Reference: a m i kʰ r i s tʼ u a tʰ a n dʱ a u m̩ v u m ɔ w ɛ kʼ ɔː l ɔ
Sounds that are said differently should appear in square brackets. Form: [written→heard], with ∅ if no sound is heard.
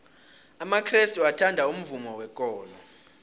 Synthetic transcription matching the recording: a m [i→a] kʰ r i s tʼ u a tʰ a n dʱ a u m̩ v u m ɔ w ɛ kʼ ɔː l ɔ